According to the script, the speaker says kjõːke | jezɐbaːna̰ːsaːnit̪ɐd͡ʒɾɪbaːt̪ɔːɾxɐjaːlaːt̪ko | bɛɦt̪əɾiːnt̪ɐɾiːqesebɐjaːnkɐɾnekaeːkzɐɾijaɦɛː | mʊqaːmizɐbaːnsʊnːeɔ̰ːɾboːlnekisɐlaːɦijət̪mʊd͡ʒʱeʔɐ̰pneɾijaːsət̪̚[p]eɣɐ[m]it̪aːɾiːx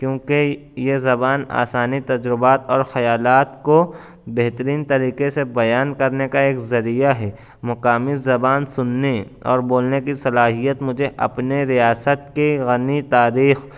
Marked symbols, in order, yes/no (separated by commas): no, no